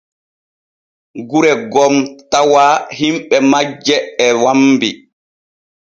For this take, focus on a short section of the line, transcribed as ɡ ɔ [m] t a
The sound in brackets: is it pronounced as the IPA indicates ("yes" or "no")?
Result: yes